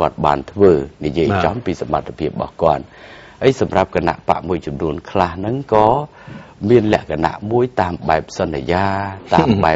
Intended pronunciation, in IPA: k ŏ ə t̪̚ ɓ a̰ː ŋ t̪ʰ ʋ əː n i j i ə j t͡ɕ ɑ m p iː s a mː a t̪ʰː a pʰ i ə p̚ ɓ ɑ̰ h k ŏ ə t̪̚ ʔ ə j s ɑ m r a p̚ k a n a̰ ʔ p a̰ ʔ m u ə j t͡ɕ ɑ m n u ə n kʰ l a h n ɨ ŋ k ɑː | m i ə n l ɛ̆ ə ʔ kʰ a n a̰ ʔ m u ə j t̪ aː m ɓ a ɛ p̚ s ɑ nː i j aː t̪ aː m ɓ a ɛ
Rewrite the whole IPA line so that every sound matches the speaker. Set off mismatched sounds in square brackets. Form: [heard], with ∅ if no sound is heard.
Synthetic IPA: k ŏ ə t̪̚ ɓ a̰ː [n] t̪ʰ ʋ əː n i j i ə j t͡ɕ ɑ m p iː s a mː a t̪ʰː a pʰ i ə p̚ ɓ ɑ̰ h k ŏ ə t̪̚ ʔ ə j s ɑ m r a p̚ k a n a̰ ʔ p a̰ ʔ m u ə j t͡ɕ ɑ m n u ə n kʰ l a h n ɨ ŋ k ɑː | m i ə n l ɛ̆ ə ʔ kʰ a n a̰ ʔ m u ə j t̪ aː m ɓ a ɛ p̚ s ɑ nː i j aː t̪ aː m ɓ a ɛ